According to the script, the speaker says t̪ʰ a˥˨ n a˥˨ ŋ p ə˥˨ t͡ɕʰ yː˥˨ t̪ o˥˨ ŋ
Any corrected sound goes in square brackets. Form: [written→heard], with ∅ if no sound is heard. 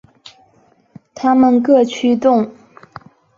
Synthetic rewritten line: t̪ʰ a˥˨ [n→m] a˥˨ ŋ [p→k] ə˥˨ t͡ɕʰ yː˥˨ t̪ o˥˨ ŋ